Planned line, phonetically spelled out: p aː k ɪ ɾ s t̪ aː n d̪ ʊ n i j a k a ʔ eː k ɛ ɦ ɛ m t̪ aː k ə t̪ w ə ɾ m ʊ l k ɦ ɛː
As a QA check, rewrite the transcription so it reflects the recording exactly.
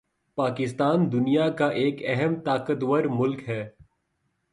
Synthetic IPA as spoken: p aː k ɪ s t̪ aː n d̪ ʊ n i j a k a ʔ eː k ɛ ɦ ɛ m t̪ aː k ə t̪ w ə ɾ m ʊ l k ɦ ɛː